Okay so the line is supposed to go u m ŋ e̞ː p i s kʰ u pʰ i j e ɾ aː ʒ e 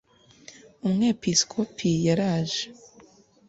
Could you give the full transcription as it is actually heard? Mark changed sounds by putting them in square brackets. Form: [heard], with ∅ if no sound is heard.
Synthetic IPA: u m ŋ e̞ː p i s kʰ [o] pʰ i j [a] ɾ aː ʒ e

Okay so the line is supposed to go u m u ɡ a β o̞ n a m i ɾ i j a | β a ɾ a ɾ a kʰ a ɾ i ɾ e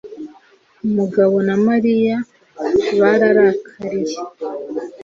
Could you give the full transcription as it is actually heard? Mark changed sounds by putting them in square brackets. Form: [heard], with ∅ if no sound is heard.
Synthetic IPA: u m u ɡ a β o̞ n a m [a] ɾ i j a | β a ɾ a ɾ a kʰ a ɾ i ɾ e

